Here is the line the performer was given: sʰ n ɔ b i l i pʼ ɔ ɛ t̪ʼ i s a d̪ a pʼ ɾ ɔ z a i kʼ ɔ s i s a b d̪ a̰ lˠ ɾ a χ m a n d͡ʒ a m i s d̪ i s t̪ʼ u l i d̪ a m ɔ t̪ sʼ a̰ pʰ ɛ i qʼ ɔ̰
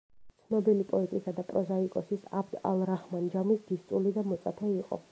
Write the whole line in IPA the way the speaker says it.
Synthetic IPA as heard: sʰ n ɔ b i l i pʼ ɔ ɛ t̪ʼ i s a d̪ a pʼ ɾ ɔ z a i kʼ ɔ s i s a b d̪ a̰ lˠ ɾ a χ m a n d͡ʒ a m i s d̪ i s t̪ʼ u l i d̪ a m ɔ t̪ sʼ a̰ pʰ ɛ i qʼ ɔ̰